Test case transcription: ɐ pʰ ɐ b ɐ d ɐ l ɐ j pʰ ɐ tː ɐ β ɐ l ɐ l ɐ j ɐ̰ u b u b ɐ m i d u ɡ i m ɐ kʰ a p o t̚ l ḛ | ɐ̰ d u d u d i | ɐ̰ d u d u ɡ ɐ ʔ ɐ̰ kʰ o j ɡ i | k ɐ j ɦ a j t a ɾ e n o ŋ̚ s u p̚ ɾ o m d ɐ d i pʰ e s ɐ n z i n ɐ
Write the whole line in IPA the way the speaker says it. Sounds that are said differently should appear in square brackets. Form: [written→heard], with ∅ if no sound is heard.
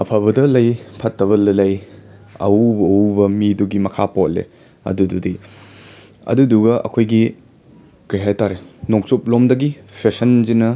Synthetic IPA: ɐ pʰ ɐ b ɐ d ɐ l ɐ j pʰ ɐ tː ɐ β ɐ l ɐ l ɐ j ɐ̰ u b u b ɐ m i d u ɡ i m ɐ kʰ a p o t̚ l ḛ | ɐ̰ d u d u d i | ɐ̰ d u d u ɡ ɐ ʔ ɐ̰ kʰ o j ɡ i | k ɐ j ɦ a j t a ɾ e n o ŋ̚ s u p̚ [ɾ→l] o m d ɐ [d→ɡ] i pʰ e s ɐ n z i n ɐ